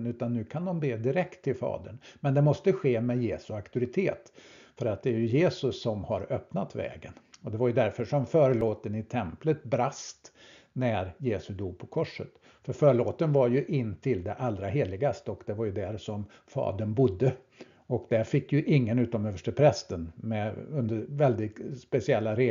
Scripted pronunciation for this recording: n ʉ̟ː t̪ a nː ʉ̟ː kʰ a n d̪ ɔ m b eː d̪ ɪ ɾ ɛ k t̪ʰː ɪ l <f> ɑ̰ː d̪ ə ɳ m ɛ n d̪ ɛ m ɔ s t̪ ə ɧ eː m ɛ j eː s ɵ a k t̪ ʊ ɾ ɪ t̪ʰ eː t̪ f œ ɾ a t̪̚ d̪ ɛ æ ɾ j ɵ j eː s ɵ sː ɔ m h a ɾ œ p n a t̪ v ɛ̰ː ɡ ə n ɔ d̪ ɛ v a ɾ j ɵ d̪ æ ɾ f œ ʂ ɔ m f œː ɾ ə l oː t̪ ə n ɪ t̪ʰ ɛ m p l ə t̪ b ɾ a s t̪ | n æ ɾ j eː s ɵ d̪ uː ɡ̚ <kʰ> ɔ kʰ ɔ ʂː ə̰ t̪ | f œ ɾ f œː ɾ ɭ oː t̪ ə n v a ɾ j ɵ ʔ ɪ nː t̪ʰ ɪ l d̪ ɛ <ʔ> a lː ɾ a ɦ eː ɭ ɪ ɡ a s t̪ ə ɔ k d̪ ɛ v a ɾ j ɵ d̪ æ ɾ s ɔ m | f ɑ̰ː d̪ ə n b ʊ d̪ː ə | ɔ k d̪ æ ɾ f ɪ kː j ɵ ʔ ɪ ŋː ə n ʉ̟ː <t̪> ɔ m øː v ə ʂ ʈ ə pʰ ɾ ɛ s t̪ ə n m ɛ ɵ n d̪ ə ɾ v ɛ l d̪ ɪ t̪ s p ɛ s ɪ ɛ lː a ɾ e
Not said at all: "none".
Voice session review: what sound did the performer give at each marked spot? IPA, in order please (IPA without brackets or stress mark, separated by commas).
f, pʰ, ʔ, t̪